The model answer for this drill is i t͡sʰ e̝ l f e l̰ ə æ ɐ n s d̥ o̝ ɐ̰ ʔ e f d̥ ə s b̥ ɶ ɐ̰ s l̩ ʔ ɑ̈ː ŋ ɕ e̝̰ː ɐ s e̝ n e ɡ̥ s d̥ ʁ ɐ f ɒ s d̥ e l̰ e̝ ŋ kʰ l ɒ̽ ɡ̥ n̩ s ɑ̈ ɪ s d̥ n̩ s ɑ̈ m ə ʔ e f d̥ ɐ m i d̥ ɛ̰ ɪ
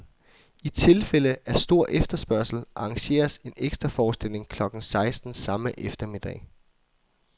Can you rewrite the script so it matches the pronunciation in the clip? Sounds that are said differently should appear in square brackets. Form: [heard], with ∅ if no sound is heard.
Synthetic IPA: i t͡sʰ e̝ l f e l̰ ə æ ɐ [∅] s d̥ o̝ ɐ̰ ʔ e f d̥ [ɐ] s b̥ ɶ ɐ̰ s l̩ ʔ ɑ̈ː ŋ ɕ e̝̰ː ɐ s e̝ n e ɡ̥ s d̥ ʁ ɐ f [ɒː] s d̥ e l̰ e̝ ŋ kʰ l ɒ̽ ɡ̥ n̩ s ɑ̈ ɪ s d̥ n̩ s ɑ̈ m ə ʔ e f d̥ ɐ m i d̥ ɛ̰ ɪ